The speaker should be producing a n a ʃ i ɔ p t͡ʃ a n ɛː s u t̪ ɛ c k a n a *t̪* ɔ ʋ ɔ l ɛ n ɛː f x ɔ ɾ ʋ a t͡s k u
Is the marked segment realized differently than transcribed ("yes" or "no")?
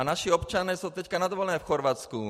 yes